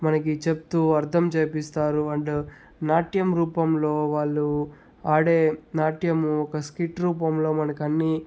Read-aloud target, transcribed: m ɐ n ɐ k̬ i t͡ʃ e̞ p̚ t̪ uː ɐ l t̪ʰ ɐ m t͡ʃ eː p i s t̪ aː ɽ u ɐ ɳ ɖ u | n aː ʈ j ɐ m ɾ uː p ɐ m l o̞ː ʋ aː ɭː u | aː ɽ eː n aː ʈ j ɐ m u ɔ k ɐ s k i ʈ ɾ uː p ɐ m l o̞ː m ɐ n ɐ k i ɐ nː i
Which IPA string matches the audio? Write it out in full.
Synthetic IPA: m ɐ n ɐ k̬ i t͡ʃ e̞ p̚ t̪ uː ɐ ɾ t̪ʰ ɐ m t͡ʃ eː p i s t̪ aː ɾ u ɐ ɳ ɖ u | n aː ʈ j ɐ m ɾ uː p ɐ m l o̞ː ʋ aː ɭː u | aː ɽ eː n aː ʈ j ɐ m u ɔ k ɐ s k i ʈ ɾ uː p ɐ m l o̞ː m ɐ n ɐ k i ɐ nː i